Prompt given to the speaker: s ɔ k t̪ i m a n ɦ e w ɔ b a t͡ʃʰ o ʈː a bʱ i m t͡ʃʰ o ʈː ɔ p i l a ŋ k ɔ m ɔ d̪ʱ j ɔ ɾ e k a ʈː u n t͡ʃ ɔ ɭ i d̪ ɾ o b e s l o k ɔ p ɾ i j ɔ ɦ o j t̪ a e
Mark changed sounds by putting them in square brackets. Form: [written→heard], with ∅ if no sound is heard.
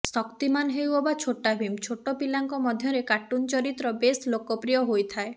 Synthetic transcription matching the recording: s ɔ k t̪ i m a n ɦ e w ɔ b a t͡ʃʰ o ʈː a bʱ i m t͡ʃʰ o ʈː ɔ p i l a ŋ k ɔ m ɔ d̪ʱ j ɔ ɾ e k a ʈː u n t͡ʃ ɔ [ɭ→ɾ] i [d̪→t̪] ɾ [o→ɔ] b e s l o k ɔ p ɾ i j ɔ ɦ o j [t̪→t̪ʰ] a e